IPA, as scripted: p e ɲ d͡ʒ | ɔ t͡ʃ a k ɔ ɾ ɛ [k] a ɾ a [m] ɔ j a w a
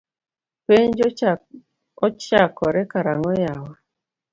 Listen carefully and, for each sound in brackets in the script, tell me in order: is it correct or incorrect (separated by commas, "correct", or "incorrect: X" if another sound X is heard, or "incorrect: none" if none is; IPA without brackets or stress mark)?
correct, incorrect: ŋ